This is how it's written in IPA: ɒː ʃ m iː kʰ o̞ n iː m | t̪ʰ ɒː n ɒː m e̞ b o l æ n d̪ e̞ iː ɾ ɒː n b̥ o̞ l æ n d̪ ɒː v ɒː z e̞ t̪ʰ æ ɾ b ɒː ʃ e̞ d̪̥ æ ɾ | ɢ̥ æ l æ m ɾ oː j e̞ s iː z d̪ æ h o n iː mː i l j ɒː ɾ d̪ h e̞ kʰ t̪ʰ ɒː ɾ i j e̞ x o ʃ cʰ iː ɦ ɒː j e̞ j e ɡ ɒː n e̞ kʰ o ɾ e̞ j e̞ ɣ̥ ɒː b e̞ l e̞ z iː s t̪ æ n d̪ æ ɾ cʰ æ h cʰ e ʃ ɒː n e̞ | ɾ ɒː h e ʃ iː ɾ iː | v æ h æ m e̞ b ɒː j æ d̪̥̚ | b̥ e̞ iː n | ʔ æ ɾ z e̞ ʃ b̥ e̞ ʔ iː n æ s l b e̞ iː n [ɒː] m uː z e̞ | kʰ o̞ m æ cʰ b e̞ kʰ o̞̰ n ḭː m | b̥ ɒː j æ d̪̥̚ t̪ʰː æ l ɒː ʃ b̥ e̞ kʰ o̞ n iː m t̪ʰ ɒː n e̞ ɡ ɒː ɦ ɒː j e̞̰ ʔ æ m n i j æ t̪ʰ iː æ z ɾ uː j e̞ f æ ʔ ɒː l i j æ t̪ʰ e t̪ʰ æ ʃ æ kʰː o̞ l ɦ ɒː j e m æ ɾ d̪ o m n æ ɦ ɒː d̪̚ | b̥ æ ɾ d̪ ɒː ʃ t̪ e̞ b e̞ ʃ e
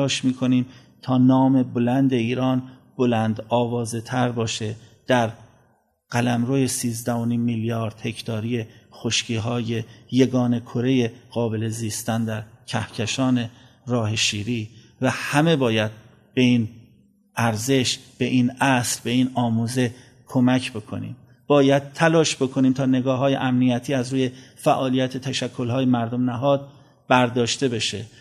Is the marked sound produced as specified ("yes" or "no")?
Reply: yes